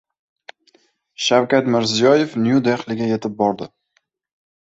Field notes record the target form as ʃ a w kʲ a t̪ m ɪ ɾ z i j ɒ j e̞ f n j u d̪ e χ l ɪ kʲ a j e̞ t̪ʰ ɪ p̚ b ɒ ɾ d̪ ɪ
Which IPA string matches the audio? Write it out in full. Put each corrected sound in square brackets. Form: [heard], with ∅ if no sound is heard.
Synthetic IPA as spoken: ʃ a w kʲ a t̪ m ɪ ɾ z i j ɒ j e̞ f n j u d̪ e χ l ɪ [ɡʲ] a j e̞ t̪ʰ ɪ p̚ b ɒ ɾ d̪ ɪ